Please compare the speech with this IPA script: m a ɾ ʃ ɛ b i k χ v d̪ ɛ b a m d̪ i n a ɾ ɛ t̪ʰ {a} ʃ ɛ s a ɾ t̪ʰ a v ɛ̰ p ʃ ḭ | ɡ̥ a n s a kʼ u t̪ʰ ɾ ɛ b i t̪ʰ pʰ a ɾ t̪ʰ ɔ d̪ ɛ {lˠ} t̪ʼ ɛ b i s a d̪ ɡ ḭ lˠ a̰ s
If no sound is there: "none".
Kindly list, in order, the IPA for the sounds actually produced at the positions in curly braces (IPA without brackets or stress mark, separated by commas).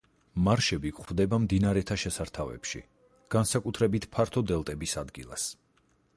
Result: a, lˠ